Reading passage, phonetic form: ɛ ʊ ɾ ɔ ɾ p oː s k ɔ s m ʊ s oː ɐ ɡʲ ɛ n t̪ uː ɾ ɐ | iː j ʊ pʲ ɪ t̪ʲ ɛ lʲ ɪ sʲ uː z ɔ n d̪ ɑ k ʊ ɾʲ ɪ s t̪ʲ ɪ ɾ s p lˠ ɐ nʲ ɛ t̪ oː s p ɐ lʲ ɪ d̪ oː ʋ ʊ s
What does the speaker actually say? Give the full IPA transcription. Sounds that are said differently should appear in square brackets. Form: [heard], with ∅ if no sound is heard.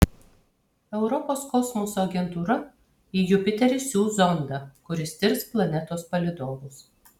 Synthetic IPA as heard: ɛ ʊ ɾ ɔ [∅] p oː s k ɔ s m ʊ s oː ɐ ɡʲ ɛ n t̪ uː ɾ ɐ | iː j ʊ pʲ ɪ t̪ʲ ɛ [ɾʲ] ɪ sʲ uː z ɔ n d̪ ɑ k ʊ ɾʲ ɪ s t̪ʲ ɪ ɾ s p lˠ ɐ nʲ ɛ t̪ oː s p ɐ lʲ ɪ d̪ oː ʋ ʊ s